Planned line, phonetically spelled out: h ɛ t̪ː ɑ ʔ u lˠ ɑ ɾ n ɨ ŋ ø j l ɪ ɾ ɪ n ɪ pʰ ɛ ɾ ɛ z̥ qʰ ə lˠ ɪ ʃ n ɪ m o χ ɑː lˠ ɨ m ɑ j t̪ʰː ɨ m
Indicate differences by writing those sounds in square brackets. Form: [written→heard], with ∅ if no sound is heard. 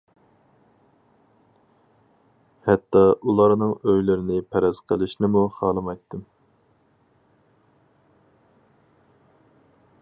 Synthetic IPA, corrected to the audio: h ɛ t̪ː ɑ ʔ u lˠ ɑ ɾ n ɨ ŋ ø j l ɪ ɾ ɪ n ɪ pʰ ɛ ɾ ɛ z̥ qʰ ə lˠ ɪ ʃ n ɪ m [o→u] χ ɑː lˠ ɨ m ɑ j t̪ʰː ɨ m